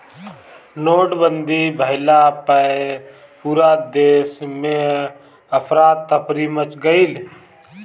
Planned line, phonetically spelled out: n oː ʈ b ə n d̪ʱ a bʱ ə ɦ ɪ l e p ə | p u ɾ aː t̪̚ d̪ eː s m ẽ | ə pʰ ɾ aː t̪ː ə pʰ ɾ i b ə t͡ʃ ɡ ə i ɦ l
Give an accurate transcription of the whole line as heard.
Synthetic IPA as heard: n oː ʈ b ə n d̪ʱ i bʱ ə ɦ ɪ l a p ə | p u ɾ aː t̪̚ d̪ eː s m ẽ | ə pʰ ɾ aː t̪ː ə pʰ ɾ i m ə t͡ʃ ɡ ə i l